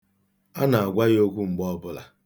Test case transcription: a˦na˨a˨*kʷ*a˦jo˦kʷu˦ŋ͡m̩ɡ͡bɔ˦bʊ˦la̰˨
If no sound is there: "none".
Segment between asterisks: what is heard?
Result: ɡʷ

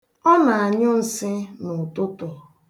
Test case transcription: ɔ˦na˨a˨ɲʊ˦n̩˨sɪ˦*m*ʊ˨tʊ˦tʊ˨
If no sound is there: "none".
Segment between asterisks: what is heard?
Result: n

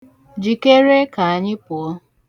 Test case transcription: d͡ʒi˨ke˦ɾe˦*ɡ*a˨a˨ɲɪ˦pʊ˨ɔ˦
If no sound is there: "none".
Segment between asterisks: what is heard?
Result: k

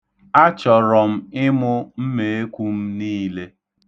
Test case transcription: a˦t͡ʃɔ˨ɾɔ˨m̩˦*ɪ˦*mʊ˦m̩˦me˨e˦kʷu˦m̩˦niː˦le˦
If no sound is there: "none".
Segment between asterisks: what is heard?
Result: ɪ˦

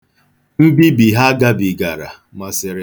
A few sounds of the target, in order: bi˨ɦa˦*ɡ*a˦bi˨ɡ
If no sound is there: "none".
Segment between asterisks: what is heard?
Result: ɡ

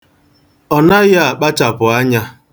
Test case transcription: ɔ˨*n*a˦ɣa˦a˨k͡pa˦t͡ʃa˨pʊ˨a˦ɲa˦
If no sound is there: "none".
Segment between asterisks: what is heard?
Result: n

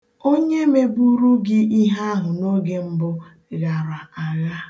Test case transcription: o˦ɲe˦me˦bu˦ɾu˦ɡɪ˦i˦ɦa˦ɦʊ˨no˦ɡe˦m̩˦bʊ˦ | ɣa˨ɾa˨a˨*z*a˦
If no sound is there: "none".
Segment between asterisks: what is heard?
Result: ɣ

